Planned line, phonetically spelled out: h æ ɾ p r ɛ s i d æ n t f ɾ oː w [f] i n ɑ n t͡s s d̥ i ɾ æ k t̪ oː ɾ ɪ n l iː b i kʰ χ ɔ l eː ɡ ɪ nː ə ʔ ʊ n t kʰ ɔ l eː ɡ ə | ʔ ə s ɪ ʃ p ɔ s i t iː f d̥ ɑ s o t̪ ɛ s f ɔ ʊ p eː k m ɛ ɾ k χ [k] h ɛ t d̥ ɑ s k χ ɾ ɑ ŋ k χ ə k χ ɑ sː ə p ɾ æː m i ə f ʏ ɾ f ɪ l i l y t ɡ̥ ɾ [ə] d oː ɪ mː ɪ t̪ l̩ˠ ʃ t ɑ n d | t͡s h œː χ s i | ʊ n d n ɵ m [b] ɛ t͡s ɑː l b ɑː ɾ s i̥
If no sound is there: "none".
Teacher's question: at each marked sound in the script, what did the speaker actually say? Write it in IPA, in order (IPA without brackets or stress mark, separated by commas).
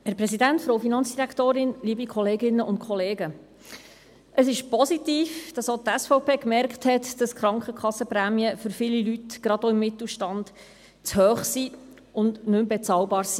f, t, ɑ, b